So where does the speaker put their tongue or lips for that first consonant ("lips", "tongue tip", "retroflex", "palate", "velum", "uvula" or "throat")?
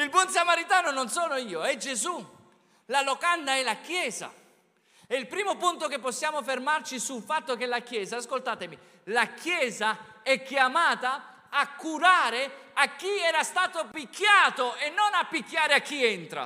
tongue tip